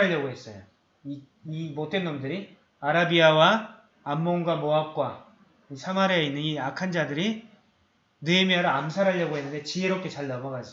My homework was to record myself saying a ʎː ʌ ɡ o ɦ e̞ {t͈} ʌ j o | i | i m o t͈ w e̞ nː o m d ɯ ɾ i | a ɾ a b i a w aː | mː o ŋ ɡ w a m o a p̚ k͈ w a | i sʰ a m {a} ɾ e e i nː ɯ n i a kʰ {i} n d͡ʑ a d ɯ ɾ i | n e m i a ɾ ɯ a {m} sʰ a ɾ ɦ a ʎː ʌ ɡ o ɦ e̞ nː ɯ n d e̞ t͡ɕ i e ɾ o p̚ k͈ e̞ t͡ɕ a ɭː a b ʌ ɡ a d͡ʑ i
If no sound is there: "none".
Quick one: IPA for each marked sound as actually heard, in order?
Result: s͈, a, a, m

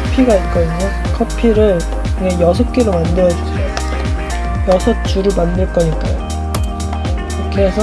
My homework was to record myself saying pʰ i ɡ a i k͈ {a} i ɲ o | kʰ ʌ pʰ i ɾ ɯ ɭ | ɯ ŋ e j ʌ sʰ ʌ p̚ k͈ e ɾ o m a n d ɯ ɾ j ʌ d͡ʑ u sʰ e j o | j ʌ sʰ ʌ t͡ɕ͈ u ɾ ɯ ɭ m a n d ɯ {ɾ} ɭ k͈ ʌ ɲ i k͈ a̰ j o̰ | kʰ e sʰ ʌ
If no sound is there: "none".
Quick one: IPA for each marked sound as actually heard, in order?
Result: ʌ, none

